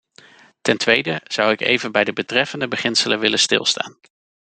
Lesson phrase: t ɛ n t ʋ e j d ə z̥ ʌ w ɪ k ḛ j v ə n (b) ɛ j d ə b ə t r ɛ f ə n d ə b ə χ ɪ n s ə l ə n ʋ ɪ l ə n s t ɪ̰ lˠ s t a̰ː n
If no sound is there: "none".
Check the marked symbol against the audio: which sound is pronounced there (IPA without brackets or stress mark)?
b